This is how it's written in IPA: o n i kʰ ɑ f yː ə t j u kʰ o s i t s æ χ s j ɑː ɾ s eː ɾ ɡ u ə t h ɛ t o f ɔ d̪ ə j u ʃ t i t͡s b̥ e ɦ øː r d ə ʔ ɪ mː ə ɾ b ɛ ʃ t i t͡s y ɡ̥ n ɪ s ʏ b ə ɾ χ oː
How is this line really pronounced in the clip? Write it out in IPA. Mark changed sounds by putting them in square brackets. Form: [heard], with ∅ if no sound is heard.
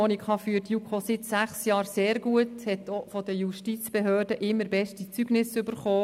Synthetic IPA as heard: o n i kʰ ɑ f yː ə t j u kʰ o s [ɪ] t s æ χ s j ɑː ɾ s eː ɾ ɡ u ə t h ɛ t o f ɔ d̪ ə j u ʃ t i t͡s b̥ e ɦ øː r d ə ʔ ɪ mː ə ɾ b ɛ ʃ t i t͡s y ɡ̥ n ɪ s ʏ b ə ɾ χ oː